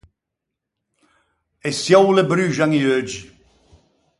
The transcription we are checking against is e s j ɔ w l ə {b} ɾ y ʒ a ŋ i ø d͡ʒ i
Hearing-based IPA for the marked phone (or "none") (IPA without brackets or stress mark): b